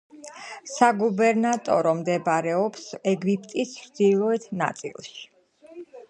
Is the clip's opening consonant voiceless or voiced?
voiceless